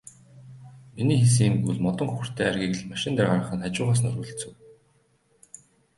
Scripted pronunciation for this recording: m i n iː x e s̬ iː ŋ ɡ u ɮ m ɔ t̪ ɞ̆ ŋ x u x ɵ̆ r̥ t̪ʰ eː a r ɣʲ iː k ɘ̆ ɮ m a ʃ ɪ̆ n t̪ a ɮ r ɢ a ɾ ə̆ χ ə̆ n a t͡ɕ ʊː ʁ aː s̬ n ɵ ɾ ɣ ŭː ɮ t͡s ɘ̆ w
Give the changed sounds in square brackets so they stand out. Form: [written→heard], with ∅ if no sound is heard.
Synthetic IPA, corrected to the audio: m i n iː x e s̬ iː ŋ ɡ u ɮ m ɔ t̪ ɞ̆ ŋ x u x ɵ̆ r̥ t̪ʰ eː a r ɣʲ iː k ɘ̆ ɮ m a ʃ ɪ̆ n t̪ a [ɮ→∅] r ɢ a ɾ ə̆ χ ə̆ n a t͡ɕ ʊː ʁ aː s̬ n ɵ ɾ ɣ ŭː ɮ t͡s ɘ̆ w